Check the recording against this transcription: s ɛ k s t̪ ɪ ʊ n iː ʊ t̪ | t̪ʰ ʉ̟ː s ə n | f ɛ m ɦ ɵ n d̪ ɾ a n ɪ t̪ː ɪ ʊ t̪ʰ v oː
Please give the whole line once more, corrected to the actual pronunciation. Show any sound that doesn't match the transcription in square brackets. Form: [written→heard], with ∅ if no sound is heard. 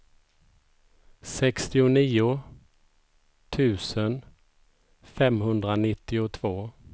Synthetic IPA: s ɛ k s t̪ ɪ ʊ n iː ʊ [t̪→∅] | t̪ʰ ʉ̟ː s ə n | f ɛ m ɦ ɵ n d̪ ɾ a n ɪ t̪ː ɪ ʊ t̪ʰ v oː